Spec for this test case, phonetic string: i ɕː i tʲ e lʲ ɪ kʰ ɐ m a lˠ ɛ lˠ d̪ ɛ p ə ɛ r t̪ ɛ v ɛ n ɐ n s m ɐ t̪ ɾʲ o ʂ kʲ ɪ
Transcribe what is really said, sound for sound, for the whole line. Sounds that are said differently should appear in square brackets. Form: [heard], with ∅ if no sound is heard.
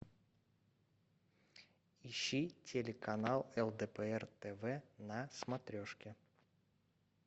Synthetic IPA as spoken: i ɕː i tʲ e lʲ ɪ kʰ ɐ [n] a lˠ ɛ lˠ d̪ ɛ p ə ɛ r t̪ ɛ v ɛ n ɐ [∅] s m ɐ t̪ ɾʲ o ʂ kʲ ɪ